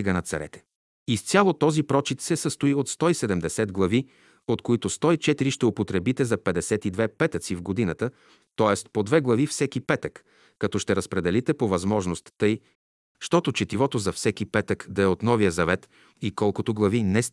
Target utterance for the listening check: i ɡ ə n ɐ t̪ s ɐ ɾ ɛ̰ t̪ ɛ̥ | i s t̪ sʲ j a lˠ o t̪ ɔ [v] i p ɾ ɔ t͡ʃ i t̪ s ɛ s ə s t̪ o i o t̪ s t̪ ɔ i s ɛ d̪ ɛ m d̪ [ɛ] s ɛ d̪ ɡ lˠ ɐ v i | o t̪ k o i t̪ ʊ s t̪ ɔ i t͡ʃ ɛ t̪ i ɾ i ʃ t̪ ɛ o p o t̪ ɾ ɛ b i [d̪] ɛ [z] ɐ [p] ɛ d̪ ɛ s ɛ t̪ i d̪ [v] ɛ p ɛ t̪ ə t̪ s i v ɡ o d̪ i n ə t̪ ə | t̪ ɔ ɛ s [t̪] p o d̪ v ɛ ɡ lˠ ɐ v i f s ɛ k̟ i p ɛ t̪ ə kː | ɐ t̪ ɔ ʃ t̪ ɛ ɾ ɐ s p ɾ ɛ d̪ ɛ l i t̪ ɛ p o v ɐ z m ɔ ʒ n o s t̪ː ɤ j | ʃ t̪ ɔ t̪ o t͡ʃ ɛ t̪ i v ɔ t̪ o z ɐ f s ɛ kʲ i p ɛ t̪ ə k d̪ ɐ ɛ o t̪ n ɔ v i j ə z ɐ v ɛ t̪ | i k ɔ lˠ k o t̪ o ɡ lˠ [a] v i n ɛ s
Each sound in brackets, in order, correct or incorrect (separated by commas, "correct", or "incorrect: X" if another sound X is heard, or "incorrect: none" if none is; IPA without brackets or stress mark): incorrect: z, correct, incorrect: t̪, correct, correct, correct, correct, incorrect: ɐ